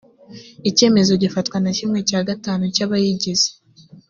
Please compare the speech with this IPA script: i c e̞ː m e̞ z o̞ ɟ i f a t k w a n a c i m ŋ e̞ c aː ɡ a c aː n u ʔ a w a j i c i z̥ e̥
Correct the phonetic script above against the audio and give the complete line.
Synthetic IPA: i c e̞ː m e̞ z o̞ ɟ i f a t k w a n a c i m ŋ e̞ c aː ɡ a t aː n u c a β a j i ɟ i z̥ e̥